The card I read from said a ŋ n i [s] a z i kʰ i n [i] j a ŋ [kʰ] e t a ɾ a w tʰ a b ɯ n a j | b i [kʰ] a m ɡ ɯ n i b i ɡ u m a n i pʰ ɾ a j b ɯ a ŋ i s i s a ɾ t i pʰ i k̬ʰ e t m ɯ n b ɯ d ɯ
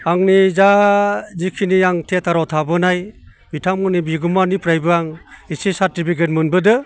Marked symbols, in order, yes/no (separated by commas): no, yes, no, no